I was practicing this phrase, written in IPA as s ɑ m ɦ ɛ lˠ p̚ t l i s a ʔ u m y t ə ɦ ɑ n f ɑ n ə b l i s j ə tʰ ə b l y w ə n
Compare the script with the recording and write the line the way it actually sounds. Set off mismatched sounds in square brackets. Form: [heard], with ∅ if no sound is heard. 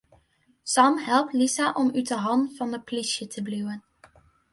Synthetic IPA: s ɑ m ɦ ɛ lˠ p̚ t l i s a ʔ [ɔ] m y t ə ɦ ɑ n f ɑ n ə [p] l i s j ə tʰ ə b l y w ə n